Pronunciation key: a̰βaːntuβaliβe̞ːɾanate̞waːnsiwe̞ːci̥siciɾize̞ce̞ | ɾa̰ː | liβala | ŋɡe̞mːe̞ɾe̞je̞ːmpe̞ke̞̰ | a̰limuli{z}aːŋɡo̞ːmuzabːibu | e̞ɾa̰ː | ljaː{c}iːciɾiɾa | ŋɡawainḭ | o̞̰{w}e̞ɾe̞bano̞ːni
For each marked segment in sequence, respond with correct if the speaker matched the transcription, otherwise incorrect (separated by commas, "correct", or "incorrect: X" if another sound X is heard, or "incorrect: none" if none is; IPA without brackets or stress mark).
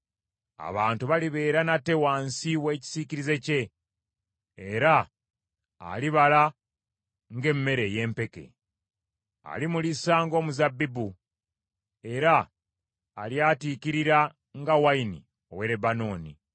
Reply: incorrect: s, incorrect: t, correct